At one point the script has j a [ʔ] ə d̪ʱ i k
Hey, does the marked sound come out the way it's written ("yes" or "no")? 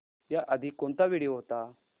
yes